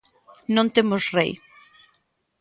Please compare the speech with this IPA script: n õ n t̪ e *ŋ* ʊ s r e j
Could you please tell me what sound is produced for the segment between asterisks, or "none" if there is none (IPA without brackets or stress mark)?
m